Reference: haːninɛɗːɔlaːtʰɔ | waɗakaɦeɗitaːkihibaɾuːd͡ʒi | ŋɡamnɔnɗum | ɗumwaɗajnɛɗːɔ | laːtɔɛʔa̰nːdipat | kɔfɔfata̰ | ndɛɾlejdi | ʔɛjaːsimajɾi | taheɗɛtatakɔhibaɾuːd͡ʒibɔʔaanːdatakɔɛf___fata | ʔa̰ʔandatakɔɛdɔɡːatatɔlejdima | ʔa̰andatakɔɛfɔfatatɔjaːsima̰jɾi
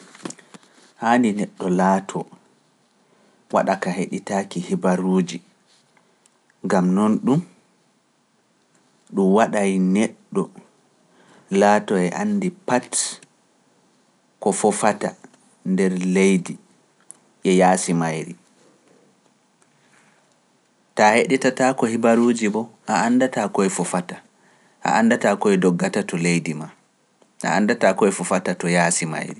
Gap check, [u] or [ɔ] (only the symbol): ɔ